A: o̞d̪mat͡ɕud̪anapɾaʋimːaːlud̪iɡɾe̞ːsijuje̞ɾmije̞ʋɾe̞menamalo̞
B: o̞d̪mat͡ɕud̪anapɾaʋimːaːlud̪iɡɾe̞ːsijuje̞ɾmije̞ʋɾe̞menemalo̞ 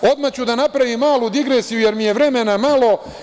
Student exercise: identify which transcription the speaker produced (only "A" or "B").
A